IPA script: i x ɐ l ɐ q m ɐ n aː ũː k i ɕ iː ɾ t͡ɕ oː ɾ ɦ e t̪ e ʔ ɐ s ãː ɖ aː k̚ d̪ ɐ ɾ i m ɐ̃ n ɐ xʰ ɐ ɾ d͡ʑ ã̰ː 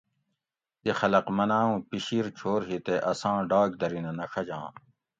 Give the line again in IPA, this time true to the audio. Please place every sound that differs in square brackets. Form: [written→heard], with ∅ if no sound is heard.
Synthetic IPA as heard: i x ɐ l ɐ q m ɐ n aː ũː [k→p] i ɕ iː ɾ [t͡ɕ→t͡ɕʰ] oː ɾ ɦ [e→i] t̪ e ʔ ɐ s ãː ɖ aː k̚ d̪ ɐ ɾ i [m→n] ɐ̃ n ɐ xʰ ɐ [ɾ→∅] d͡ʑ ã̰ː